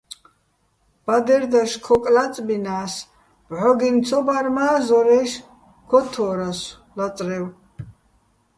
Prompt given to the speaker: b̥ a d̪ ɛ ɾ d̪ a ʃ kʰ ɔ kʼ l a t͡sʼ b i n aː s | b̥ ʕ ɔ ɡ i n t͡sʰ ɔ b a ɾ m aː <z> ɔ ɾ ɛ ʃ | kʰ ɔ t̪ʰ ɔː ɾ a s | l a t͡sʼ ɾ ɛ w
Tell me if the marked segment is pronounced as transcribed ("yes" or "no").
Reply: yes